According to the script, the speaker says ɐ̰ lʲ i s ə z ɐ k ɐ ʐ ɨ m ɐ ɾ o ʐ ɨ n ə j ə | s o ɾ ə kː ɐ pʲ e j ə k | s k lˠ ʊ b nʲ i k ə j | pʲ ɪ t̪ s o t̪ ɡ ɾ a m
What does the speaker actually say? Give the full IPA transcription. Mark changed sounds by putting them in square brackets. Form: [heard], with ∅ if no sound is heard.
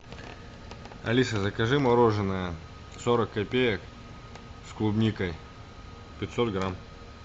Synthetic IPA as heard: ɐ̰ lʲ i s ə z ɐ k ɐ ʐ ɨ m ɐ ɾ o ʐ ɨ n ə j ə | s o ɾ ə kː ɐ pʲ e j ə k | s k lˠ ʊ b nʲ i k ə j | pʲ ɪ t̪ s o t̪ ɡ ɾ a m